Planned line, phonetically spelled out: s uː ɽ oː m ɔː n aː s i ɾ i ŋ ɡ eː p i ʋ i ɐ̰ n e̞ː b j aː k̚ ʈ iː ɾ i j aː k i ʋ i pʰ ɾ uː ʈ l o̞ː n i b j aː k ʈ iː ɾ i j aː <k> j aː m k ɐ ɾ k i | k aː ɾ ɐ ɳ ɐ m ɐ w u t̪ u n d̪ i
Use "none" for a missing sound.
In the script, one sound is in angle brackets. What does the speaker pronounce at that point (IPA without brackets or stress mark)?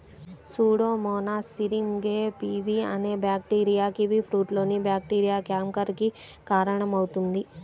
k